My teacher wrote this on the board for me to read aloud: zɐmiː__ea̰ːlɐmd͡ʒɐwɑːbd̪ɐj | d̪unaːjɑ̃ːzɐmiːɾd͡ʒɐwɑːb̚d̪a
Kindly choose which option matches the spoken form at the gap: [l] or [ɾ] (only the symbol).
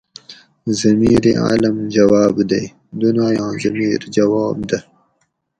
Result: ɾ